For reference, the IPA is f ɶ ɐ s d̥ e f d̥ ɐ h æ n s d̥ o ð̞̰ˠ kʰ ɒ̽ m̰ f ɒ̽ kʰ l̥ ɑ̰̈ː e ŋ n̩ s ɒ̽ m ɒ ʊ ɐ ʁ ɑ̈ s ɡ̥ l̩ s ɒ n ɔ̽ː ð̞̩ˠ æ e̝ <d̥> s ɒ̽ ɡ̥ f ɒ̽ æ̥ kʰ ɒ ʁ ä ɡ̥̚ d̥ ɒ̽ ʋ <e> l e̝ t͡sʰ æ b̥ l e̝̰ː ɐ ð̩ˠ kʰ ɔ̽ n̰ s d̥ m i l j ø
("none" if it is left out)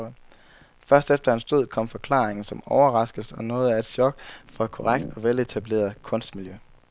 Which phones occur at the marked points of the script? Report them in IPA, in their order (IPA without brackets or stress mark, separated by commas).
d̥, e